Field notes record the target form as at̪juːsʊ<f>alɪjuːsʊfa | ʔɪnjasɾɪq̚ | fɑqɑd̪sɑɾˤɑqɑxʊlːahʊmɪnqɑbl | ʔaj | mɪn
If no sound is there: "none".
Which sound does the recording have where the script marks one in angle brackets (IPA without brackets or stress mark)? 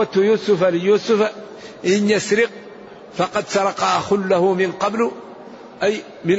f